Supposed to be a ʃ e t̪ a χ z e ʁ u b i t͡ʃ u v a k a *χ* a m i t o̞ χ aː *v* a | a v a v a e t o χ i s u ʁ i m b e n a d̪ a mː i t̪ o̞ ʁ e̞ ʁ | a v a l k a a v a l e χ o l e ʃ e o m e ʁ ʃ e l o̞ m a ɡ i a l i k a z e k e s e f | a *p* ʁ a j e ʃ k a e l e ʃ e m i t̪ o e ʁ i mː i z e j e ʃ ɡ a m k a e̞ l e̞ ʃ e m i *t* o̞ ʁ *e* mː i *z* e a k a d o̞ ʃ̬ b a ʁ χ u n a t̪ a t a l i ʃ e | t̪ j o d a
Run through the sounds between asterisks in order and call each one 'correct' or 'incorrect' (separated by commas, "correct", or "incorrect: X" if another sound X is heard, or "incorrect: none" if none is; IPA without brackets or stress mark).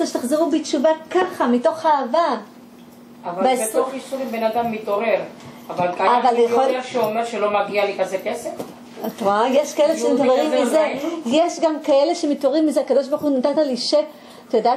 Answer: correct, correct, incorrect: t, correct, incorrect: i, correct